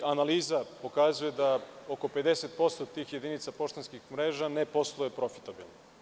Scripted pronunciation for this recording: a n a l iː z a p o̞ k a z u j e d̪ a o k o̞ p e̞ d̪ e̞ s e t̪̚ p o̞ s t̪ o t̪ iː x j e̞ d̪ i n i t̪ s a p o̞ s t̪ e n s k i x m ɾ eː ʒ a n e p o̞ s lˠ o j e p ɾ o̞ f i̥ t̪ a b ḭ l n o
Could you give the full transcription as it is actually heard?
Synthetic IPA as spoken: a n a l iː z a p o̞ k a z u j e d̪ a o k o̞ p e̞ d̪ e̞ s e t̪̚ p o̞ s t̪ o t̪ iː x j e̞ d̪ i n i t̪ s a p o̞ ʃ t̪ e n s k i x m ɾ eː ʒ a n e p o̞ s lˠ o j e p ɾ o̞ f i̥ t̪ a b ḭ l n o

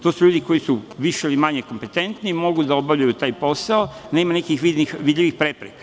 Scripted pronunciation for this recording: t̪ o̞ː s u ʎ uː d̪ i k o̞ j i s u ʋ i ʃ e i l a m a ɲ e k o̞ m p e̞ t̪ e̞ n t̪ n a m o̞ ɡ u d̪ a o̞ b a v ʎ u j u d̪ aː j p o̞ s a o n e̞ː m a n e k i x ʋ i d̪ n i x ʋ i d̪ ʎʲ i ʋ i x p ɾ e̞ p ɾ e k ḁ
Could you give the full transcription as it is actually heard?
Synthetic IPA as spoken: t̪ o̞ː s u ʎ uː d̪ i k o̞ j i s u ʋ i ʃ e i l i m a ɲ e k o̞ m p e̞ t̪ e̞ n t̪ n i m o̞ ɡ u d̪ a o̞ b a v ʎ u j u t̪ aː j p o̞ s a o n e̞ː m a n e k i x ʋ i d̪ n i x ʋ i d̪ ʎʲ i ʋ i x p ɾ e̞ p ɾ e k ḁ

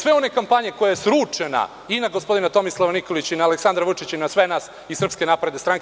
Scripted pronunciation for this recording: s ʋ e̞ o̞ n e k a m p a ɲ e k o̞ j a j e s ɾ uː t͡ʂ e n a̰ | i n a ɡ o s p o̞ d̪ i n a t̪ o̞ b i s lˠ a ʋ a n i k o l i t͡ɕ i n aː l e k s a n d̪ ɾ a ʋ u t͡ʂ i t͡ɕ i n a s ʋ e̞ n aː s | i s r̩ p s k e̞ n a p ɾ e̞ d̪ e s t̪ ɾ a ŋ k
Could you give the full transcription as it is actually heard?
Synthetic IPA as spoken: s ʋ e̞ o̞ n e k a m p a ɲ e k o̞ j a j e s ɾ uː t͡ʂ e n a̰ | i n a ɡ o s p o̞ d̪ i n a t̪ o̞ m i s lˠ a ʋ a n i k o l i t͡ɕ i n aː l e k s a n d̪ ɾ a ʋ u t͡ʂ i t͡ɕ i n a s ʋ e̞ n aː s | i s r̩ p s k e̞ n a p ɾ e̞ d̪ e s t̪ ɾ a ŋ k

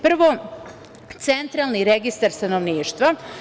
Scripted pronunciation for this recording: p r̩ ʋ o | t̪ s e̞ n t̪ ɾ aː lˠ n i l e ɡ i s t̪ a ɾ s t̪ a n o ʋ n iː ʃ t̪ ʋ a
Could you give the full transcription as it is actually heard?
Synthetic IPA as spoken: p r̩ ʋ o | t̪ s e̞ n t̪ ɾ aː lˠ n i ɾ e ɡ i s t̪ a ɾ s t̪ a n o ʋ n iː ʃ t̪ ʋ a

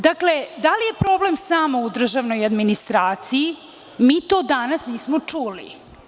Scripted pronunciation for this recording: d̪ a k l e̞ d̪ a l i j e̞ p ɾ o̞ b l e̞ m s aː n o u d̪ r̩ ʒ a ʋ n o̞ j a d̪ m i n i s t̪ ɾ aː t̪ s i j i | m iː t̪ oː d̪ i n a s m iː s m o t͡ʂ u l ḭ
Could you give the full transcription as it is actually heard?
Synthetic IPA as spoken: d̪ a k l e̞ d̪ a l i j e̞ p ɾ o̞ b l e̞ m s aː m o u d̪ r̩ ʒ a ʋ n o̞ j a d̪ m i n i s t̪ ɾ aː t̪ s i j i | m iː t̪ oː d̪ a n a s n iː s m o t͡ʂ u l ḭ

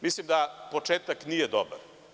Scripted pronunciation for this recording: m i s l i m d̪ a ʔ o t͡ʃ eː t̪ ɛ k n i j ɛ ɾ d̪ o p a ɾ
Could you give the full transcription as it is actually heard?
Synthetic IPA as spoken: m i s l i m d̪ a p o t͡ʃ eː t̪ a k n i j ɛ d̪ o b a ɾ

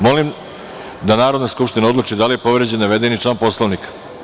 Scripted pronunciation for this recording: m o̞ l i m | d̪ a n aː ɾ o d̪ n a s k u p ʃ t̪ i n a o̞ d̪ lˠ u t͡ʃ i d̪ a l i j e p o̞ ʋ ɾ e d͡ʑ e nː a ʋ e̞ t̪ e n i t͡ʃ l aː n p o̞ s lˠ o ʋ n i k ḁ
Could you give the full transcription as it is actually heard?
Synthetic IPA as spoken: m o̞ l i m | d̪ a n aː ɾ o d̪ n a s k u p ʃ t̪ i n a o̞ d̪ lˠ u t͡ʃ i d̪ a l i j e p o̞ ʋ ɾ e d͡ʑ e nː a ʋ e̞ d̪ e n i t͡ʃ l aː n p o̞ s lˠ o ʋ n i k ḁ

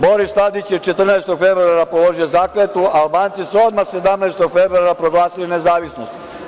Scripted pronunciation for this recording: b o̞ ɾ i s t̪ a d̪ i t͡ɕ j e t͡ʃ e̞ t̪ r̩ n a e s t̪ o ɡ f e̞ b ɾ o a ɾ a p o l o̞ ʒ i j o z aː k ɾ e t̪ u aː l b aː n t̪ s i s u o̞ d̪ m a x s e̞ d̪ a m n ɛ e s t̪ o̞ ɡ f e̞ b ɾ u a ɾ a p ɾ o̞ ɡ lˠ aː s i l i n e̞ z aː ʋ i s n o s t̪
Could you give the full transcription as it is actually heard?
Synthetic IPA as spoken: b o̞ ɾ i s t̪ a d̪ i t͡ɕ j e t͡ʃ e̞ t̪ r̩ n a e s t̪ o ɡ f e̞ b ɾ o a ɾ a p o l o̞ ʒ i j o z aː k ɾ e t̪ u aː l b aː n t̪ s i s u o̞ d̪ m a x s e̞ d̪ a m n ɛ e s t̪ o̞ ɡ f e̞ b ɾ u a ɾ a p ɾ o̞ ɡ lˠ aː s i l i n e̞ z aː ʋ i s n o s t̪

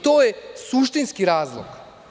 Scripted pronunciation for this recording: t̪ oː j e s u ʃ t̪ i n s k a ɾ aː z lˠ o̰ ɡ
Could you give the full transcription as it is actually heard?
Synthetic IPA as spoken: t̪ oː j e s u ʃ t̪ i n s k i ɾ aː z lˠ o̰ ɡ

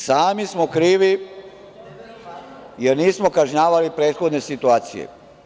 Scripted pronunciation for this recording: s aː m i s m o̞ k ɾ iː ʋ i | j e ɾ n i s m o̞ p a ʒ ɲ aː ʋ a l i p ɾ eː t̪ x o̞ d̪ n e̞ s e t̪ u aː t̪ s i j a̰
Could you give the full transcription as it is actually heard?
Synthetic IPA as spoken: s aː m i s m o̞ k ɾ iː ʋ i | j e ɾ n iː s m o̞ k a ʒ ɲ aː ʋ a l i p ɾ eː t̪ x o̞ d̪ n e̞ s i t̪ u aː t̪ s i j ḛ

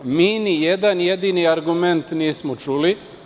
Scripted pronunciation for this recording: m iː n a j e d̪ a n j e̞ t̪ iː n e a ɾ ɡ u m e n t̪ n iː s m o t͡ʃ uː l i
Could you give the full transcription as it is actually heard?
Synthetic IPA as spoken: m iː n i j e d̪ a n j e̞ d̪ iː n i a ɾ ɡ u m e n t̪ n iː s m o t͡ʃ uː l i

